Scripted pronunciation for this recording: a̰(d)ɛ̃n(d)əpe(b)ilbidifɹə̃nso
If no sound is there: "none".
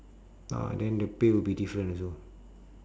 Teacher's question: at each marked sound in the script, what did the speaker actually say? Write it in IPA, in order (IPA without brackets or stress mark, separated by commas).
d, d, w